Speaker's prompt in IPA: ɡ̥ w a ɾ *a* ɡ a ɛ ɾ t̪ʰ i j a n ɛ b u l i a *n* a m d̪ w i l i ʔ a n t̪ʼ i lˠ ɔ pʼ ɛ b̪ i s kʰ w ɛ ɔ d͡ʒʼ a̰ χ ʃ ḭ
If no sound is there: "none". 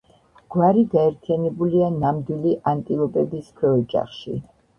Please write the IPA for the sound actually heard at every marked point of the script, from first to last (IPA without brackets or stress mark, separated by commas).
i, n